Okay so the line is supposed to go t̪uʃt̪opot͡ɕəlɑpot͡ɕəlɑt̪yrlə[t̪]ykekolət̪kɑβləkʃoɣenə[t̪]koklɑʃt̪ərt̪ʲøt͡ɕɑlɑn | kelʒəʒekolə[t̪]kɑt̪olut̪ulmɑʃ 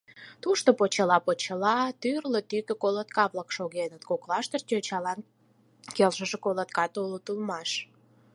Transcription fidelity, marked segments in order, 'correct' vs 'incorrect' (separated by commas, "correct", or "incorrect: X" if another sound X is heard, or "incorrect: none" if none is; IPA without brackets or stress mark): correct, correct, correct